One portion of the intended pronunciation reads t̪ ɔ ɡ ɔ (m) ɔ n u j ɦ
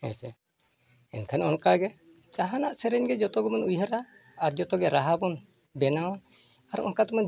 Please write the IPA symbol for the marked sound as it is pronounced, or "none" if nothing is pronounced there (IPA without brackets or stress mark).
m